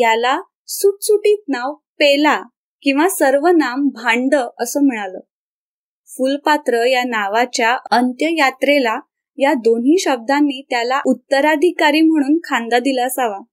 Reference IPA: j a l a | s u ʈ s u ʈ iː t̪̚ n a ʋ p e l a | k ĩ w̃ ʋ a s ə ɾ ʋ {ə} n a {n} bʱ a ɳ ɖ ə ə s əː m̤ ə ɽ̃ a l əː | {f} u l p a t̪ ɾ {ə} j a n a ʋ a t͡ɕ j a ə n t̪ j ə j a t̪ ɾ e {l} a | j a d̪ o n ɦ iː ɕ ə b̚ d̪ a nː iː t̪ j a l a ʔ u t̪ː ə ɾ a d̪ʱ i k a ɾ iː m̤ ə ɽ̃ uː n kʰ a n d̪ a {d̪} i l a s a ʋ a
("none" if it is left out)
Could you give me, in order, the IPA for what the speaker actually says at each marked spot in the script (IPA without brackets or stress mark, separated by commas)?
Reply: ə, m, f, ə, l, d̪